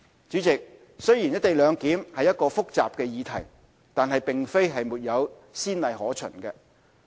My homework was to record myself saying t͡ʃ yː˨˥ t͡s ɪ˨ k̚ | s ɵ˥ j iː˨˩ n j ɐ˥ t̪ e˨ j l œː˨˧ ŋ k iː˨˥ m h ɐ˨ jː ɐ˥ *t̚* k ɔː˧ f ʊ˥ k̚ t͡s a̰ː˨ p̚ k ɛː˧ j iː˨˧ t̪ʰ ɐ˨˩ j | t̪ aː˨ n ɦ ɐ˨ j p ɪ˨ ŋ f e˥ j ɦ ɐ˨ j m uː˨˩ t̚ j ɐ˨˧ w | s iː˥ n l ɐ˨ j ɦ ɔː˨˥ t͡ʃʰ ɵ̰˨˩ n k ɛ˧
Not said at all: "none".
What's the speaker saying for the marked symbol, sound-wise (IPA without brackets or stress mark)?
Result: t̚